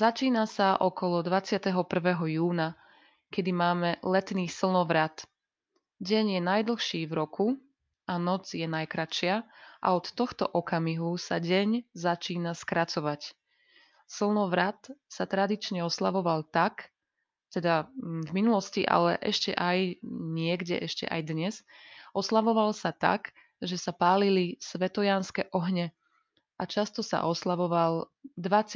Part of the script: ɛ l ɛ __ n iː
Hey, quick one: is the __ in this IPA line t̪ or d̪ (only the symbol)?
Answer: t̪